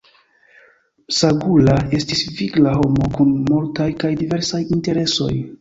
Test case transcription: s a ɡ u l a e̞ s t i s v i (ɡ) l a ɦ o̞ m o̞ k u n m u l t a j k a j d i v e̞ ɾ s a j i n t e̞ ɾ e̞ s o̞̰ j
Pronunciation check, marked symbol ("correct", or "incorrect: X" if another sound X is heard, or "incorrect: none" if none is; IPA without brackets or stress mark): correct